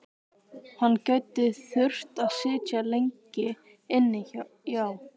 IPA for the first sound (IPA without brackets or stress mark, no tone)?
h